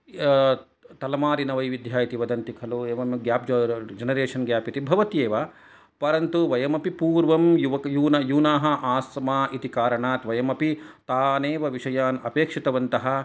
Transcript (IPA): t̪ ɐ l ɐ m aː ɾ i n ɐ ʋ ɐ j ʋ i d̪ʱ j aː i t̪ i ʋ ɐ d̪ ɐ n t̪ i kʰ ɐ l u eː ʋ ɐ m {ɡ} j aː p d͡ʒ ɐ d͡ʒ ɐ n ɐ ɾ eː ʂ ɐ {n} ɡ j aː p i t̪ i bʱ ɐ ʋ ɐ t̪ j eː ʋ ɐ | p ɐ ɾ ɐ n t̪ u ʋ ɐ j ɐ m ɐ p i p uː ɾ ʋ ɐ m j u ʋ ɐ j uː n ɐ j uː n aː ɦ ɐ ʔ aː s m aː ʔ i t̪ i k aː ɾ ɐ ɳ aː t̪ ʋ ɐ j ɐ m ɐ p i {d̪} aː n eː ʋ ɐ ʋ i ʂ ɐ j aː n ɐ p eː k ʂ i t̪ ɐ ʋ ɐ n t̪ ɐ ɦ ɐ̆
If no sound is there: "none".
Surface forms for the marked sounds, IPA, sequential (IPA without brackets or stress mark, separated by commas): ɡ, n, t̪